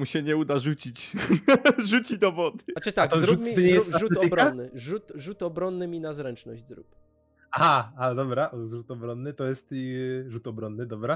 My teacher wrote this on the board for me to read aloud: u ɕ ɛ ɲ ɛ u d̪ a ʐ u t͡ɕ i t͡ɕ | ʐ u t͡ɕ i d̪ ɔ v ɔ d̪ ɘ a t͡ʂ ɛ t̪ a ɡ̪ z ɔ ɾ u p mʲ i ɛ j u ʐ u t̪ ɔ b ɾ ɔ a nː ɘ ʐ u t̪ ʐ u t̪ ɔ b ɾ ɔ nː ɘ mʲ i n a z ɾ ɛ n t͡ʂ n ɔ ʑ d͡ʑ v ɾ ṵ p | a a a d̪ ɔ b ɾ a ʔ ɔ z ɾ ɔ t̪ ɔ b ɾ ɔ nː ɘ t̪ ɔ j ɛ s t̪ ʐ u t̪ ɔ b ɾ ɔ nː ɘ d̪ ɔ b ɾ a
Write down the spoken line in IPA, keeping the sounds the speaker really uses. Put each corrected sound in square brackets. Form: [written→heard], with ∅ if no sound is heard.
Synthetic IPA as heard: u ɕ ɛ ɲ ɛ u d̪ a ʐ u t͡ɕ i t͡ɕ | ʐ u t͡ɕ i d̪ ɔ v ɔ d̪ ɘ a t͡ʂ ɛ t̪ a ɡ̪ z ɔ ɾ u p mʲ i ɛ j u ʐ u t̪ ɔ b ɾ ɔ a nː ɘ ʐ u t̪ ʐ u t̪ ɔ b ɾ ɔ nː ɘ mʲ i n a z ɾ ɛ n t͡ʂ n ɔ ʑ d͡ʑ [v→z] ɾ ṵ p | a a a d̪ ɔ b ɾ a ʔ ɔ z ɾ [ɔ→u] t̪ ɔ b ɾ ɔ nː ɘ t̪ ɔ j ɛ s t̪ ʐ u t̪ ɔ b ɾ ɔ nː ɘ d̪ ɔ b ɾ a